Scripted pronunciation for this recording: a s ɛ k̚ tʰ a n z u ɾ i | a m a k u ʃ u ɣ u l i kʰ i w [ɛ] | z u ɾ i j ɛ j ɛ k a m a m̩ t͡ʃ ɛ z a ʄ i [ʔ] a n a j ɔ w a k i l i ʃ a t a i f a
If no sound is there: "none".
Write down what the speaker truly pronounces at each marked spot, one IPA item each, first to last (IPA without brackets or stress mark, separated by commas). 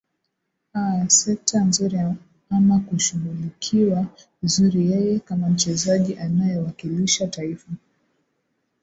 a, ʔ